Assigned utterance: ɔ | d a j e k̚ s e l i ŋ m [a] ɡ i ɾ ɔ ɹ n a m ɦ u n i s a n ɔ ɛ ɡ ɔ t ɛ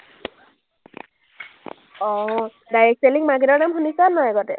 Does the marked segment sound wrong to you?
no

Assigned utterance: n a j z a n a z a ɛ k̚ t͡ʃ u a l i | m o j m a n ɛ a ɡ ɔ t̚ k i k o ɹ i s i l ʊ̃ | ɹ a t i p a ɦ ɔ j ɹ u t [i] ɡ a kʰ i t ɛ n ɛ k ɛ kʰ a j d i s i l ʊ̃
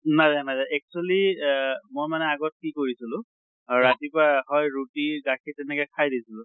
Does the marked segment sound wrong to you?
no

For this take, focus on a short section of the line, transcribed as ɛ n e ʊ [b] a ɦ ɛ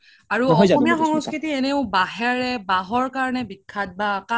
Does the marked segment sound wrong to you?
no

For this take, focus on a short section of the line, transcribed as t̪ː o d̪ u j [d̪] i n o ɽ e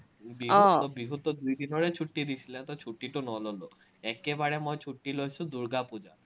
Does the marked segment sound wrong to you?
no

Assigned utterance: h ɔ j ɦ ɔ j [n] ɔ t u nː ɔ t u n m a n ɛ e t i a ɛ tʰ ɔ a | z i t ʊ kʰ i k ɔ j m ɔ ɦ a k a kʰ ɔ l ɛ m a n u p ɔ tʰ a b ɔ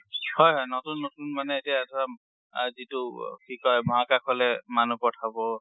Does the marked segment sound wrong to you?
no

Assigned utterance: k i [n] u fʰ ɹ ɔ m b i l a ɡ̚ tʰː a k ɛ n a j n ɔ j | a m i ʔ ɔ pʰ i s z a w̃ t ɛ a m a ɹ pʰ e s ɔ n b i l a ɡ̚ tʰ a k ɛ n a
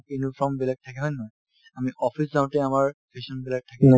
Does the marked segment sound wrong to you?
no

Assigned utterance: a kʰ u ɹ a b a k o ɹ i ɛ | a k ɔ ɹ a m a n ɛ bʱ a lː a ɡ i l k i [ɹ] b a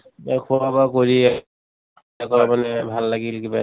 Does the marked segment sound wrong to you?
yes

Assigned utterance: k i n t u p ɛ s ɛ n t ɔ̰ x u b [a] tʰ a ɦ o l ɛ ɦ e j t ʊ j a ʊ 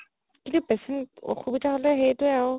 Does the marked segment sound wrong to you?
yes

